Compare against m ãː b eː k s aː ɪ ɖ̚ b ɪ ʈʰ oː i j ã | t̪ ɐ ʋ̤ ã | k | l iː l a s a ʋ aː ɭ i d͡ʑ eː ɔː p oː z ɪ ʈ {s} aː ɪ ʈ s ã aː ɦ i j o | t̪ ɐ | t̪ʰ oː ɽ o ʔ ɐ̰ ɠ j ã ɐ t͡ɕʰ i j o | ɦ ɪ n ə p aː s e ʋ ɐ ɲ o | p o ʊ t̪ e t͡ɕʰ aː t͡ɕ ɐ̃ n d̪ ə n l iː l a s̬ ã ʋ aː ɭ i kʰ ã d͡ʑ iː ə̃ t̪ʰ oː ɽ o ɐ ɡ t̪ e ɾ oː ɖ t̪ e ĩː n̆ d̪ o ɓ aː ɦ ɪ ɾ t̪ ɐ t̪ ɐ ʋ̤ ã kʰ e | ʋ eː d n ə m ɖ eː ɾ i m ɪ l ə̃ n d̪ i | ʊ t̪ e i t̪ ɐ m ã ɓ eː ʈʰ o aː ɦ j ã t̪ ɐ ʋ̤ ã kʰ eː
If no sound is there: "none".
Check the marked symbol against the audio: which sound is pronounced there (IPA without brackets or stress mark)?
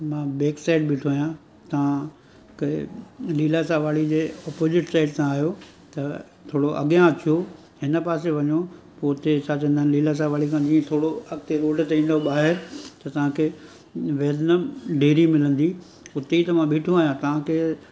s